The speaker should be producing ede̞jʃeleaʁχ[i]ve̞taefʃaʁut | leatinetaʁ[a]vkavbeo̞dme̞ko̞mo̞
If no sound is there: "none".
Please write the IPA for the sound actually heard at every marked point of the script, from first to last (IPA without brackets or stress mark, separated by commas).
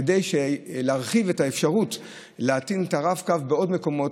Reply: i, a